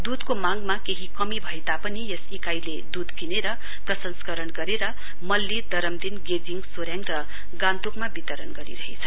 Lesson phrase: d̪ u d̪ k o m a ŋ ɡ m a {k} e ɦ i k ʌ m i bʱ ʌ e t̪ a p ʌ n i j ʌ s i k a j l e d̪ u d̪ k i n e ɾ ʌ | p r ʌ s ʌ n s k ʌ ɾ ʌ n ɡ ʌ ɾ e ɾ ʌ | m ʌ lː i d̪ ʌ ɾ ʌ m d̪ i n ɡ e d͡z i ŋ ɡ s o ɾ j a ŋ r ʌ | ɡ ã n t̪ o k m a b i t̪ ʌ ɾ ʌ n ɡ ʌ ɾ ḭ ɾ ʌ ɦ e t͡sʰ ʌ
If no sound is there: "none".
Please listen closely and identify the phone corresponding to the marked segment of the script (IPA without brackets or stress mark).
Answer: k